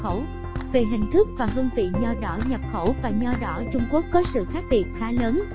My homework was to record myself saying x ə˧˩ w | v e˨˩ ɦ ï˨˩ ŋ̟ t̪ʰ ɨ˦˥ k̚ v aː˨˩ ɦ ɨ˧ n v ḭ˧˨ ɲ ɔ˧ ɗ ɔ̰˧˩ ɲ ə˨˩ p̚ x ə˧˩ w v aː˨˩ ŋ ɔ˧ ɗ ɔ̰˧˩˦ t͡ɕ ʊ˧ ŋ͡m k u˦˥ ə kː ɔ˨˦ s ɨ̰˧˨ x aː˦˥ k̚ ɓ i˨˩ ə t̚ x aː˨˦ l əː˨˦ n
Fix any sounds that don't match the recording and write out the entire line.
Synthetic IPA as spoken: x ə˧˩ w | v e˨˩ ɦ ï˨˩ ŋ̟ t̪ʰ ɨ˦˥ k̚ v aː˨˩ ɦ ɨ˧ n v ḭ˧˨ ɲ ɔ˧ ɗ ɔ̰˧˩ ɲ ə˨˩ p̚ x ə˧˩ w v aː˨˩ ɲ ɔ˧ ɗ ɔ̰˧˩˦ t͡ɕ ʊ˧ ŋ͡m k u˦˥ ə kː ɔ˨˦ s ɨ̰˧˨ x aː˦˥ k̚ ɓ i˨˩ ə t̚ x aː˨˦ l əː˨˦ n